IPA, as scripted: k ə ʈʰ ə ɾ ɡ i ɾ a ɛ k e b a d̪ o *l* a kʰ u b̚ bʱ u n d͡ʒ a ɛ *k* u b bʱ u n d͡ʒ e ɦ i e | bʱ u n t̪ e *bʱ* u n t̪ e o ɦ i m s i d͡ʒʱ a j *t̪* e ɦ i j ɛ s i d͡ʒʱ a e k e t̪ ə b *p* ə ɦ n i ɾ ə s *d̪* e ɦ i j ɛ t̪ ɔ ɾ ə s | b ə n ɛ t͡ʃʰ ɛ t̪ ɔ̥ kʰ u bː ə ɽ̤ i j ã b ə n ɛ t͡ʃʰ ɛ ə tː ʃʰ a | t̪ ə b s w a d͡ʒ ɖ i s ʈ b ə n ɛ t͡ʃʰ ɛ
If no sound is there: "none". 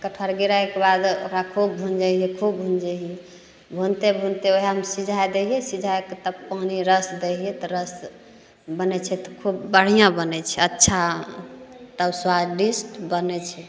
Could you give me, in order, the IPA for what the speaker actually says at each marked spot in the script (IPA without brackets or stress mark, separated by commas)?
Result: ɾ, kʰ, bʱ, d̪, p, d̪